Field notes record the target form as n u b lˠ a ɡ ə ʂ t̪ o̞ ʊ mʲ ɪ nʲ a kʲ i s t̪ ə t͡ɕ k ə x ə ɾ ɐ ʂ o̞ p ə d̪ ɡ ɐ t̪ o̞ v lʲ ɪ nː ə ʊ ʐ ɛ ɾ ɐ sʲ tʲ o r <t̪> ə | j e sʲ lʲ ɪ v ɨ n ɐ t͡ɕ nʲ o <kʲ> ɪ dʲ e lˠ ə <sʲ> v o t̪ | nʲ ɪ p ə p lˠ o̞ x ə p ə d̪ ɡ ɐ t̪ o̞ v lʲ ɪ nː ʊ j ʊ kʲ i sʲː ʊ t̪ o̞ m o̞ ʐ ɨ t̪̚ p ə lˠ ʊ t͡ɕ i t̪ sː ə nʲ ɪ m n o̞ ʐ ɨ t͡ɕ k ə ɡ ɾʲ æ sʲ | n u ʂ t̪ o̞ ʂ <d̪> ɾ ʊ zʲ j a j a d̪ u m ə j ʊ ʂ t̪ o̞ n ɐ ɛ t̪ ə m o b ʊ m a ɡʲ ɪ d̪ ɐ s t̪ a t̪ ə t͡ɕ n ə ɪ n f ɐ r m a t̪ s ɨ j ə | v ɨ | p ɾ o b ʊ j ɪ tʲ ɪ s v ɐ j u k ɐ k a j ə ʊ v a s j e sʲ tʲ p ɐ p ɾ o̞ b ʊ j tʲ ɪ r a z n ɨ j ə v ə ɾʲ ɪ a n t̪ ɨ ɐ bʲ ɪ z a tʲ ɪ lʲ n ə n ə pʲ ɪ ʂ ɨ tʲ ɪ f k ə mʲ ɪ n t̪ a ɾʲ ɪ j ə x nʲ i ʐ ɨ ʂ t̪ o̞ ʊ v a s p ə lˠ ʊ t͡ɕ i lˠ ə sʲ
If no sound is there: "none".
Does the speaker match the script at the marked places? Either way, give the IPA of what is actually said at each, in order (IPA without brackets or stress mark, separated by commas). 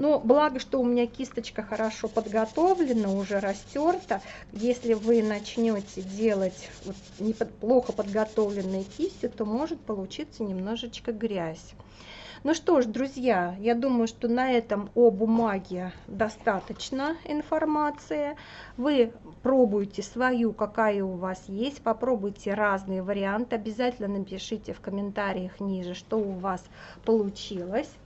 t̪, tʲ, tʲ, d̪